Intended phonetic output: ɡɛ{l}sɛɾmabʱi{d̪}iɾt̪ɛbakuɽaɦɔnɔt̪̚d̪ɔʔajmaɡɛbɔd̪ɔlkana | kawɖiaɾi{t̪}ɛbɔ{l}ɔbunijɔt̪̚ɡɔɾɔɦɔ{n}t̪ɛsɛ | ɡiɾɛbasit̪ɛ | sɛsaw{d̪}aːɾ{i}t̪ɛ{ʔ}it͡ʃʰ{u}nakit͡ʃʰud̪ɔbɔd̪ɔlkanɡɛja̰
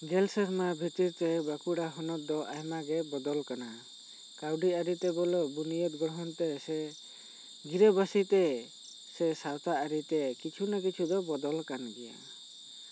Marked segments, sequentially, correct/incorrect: correct, incorrect: t̪, correct, correct, correct, incorrect: t̪, correct, incorrect: k, correct

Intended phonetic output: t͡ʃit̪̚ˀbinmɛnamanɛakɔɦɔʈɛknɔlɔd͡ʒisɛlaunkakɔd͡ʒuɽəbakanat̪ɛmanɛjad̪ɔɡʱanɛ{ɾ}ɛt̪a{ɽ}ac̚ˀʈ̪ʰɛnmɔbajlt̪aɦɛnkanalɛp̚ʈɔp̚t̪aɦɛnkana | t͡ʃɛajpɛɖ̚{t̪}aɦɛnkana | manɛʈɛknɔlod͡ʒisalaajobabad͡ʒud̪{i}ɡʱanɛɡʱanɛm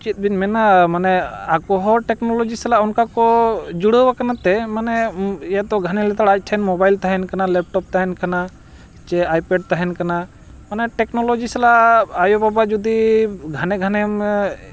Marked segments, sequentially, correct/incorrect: incorrect: l, correct, correct, correct

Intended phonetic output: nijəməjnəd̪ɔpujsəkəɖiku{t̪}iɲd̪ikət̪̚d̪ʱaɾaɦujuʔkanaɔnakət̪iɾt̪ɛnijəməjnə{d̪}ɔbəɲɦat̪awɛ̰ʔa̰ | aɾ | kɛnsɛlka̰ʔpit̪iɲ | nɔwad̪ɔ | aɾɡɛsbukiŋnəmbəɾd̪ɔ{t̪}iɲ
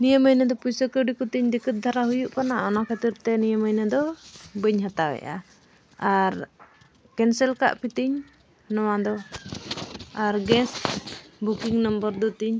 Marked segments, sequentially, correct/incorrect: correct, correct, correct

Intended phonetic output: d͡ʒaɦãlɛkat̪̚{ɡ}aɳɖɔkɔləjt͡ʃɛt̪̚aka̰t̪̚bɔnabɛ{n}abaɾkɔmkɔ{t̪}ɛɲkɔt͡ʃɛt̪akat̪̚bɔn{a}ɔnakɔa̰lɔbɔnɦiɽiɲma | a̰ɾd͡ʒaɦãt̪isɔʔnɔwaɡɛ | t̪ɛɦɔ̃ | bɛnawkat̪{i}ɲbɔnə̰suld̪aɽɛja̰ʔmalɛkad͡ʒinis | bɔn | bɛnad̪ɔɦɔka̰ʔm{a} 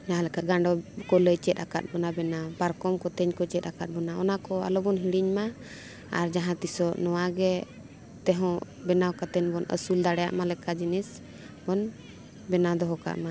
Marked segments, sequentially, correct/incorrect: correct, correct, correct, correct, incorrect: ɛ, correct

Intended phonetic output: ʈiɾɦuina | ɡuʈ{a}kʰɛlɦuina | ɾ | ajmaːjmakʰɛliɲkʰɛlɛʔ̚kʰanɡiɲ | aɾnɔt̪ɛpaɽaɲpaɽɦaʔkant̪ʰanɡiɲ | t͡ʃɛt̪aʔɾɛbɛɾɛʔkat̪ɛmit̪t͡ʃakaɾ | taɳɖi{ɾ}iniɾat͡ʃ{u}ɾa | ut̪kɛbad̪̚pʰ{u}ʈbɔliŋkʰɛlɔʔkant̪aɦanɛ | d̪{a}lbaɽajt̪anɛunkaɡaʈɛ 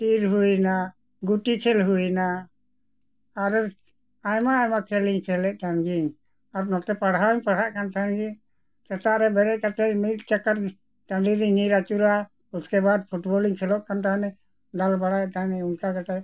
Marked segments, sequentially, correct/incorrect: incorrect: i, correct, correct, correct, correct

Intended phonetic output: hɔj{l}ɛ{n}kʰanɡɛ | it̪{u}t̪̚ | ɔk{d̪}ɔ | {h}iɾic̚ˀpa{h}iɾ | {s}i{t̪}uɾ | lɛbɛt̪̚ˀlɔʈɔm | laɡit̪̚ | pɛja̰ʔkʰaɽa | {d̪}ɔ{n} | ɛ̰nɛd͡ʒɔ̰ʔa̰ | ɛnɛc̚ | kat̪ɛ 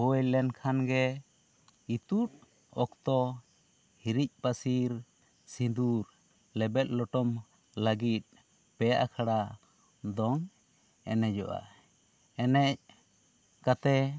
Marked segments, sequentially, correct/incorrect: correct, correct, correct, incorrect: t̪, correct, incorrect: s, correct, incorrect: d̪, correct, incorrect: ŋ

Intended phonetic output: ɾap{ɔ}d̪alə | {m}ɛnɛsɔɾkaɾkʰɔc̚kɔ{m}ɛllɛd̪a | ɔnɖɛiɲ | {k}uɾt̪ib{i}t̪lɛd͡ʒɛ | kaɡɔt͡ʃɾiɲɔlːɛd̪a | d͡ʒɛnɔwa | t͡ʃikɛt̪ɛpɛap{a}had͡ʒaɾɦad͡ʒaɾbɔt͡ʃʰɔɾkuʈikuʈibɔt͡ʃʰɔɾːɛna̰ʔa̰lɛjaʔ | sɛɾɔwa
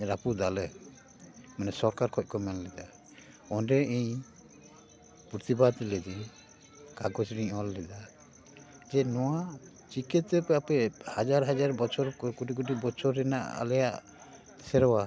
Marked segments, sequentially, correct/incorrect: incorrect: u, correct, correct, incorrect: p, incorrect: a, incorrect: ɛ

